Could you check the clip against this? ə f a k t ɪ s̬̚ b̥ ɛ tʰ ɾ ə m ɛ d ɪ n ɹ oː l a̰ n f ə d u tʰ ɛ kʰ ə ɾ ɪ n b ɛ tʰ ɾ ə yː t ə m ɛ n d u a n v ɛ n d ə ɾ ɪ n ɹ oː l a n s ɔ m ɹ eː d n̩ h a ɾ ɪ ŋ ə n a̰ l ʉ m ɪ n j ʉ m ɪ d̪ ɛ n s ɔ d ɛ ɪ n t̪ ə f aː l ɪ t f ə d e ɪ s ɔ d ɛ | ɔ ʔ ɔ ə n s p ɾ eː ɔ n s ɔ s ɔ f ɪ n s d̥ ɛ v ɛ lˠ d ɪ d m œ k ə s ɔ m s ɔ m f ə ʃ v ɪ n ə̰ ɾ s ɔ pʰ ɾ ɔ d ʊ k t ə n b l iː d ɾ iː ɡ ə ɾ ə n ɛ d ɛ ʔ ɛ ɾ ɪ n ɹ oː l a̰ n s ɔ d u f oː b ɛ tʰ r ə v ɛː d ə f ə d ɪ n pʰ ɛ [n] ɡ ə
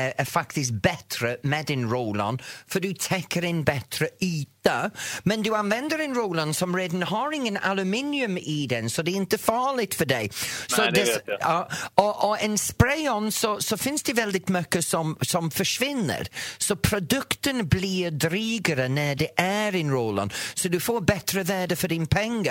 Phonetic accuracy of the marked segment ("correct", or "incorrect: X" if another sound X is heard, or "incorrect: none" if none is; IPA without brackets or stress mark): incorrect: ŋ